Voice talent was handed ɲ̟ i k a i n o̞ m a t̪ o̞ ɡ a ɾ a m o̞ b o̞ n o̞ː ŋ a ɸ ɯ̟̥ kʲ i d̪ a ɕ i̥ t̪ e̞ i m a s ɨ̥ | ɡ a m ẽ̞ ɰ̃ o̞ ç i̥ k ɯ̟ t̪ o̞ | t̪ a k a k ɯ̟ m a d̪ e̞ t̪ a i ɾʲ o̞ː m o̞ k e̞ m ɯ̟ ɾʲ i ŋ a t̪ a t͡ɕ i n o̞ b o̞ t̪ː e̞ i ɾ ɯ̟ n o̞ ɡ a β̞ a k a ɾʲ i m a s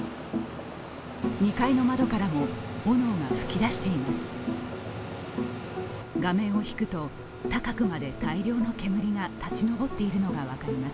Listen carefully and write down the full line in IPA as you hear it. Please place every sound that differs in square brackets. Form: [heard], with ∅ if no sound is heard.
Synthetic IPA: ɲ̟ i k a i n o̞ m a [d̪] o̞ [k] a ɾ a m o̞ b o̞ n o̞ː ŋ a ɸ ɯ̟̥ kʲ i d̪ a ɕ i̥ t̪ e̞ i m a s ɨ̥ | ɡ a m ẽ̞ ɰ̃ o̞ ç i̥ k ɯ̟ t̪ o̞ | t̪ a k a k ɯ̟ m a d̪ e̞ t̪ a i ɾʲ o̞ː [n] o̞ k e̞ m ɯ̟ ɾʲ i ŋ a t̪ a t͡ɕ i n o̞ b o̞ t̪ː e̞ i ɾ ɯ̟ n o̞ ɡ a β̞ a k a ɾʲ i m a s